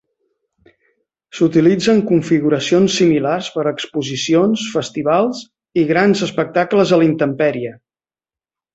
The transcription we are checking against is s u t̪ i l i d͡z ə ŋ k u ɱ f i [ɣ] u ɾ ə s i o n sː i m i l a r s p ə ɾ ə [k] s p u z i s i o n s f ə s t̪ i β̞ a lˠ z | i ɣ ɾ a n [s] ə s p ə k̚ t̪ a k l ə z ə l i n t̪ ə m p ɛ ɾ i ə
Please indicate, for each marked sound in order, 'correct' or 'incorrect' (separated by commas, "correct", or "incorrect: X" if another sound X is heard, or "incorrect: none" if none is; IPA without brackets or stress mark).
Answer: correct, correct, incorrect: z